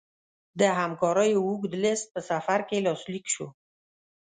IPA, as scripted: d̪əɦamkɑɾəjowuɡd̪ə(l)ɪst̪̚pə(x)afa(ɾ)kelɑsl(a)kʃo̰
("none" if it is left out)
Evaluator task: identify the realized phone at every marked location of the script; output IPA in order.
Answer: l, s, ɾ, i

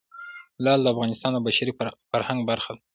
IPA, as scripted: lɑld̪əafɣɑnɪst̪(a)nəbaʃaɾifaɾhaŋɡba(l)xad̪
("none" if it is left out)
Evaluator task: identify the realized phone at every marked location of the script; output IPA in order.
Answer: ɑ, ɾ

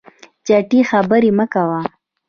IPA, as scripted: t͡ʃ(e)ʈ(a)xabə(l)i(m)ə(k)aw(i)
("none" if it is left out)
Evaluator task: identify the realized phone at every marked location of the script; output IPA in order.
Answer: a, i, ɾ, m, k, a

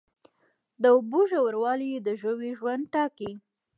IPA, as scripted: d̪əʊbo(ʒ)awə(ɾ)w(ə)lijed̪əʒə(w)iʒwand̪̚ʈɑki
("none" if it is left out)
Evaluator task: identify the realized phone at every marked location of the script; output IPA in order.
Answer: ʒ, ɾ, ɑ, w

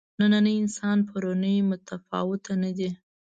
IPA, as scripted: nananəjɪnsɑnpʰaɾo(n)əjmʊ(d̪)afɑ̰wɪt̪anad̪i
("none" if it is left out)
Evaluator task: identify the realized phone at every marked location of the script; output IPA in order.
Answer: n, t̪

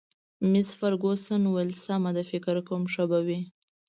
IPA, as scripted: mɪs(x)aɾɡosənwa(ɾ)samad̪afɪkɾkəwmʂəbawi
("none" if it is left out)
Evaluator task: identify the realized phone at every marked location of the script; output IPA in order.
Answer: f, l

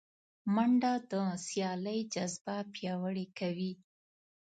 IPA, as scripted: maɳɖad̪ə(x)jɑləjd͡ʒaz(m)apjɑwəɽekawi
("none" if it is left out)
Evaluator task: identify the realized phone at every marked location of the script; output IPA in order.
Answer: s, b

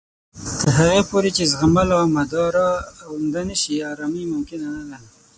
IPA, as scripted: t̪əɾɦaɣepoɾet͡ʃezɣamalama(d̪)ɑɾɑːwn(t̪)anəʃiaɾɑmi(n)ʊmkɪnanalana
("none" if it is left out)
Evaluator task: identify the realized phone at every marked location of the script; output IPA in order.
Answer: d̪, d̪, m

